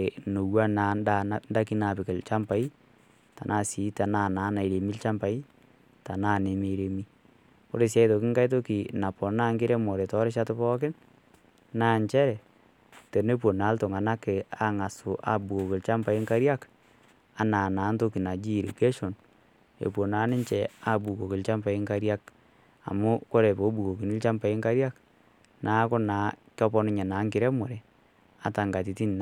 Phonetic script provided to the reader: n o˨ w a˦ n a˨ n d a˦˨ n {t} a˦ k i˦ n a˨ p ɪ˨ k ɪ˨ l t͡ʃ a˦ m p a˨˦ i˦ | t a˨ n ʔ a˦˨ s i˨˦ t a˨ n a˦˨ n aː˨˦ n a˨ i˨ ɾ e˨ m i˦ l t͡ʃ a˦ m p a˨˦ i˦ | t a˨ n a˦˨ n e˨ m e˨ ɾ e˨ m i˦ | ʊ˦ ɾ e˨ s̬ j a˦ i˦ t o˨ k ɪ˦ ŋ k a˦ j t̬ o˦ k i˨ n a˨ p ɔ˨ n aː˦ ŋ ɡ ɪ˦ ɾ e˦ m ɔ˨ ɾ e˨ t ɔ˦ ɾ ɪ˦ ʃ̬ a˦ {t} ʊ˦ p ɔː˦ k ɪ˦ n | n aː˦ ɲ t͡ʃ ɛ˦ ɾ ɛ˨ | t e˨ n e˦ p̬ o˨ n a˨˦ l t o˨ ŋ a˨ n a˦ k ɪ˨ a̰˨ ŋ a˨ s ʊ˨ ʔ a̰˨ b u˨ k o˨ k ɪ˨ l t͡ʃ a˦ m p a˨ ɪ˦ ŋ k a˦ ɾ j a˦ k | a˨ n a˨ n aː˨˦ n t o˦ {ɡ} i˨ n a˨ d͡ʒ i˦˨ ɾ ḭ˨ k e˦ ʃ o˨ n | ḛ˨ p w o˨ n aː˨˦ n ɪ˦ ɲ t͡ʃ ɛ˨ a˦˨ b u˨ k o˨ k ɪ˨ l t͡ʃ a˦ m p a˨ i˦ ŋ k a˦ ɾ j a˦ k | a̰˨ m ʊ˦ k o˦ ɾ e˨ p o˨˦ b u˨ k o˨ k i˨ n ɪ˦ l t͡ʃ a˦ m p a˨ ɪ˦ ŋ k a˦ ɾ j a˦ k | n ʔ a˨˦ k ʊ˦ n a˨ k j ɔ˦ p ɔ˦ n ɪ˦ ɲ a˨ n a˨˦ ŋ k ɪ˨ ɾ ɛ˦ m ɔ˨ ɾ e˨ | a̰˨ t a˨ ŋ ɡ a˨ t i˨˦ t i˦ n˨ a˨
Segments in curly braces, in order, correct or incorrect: incorrect: d, correct, incorrect: k

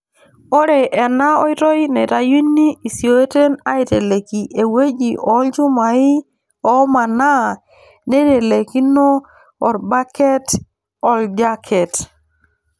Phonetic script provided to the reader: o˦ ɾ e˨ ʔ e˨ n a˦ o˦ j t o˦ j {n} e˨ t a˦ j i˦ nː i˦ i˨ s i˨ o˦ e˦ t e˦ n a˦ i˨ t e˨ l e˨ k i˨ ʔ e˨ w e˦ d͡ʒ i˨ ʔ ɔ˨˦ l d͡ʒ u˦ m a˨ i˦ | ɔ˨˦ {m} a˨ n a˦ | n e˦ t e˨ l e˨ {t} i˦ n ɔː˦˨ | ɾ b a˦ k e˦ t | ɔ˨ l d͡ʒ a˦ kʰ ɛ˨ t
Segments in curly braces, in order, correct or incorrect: correct, correct, incorrect: k

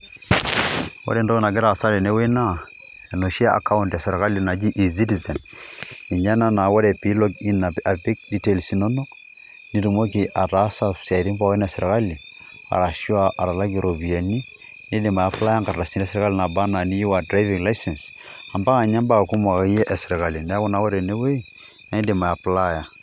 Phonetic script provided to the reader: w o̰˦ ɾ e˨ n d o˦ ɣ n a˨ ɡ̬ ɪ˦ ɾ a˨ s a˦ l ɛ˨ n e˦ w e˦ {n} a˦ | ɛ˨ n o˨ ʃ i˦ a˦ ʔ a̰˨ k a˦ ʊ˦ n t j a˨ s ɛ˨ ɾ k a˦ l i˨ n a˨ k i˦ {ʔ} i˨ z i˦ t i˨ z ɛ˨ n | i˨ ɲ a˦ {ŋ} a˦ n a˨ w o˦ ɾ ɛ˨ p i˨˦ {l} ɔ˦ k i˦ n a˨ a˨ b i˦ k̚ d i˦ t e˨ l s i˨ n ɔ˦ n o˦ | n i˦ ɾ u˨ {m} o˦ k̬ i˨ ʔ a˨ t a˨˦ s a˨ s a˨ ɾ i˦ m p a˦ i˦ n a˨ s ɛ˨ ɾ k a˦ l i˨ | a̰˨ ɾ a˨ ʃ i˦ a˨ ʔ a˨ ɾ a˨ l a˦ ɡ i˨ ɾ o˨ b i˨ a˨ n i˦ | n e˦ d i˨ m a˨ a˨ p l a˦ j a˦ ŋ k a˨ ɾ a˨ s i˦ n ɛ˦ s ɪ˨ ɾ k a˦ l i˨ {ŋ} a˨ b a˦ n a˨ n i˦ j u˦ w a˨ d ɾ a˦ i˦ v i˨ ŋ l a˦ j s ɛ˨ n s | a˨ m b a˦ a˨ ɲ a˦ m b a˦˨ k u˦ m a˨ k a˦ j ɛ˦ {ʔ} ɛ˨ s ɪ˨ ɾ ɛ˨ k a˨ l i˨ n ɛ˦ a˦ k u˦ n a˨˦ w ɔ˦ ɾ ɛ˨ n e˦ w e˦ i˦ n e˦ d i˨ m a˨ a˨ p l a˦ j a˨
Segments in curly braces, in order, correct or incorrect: correct, correct, incorrect: n, correct, correct, incorrect: n, correct

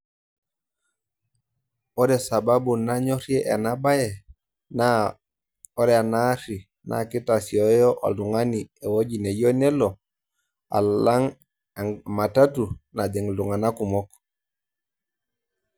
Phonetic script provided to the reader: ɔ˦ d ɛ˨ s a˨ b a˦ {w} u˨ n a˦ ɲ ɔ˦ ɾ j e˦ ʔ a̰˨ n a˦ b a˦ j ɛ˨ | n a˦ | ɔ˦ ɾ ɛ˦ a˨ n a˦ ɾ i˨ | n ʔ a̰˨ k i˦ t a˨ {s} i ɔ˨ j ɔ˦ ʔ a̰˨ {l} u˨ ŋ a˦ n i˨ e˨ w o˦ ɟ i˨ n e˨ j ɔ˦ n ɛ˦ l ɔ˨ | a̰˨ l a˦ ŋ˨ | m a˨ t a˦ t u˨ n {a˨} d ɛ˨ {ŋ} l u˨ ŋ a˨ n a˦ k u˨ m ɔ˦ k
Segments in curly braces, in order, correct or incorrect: incorrect: b, correct, correct, correct, correct

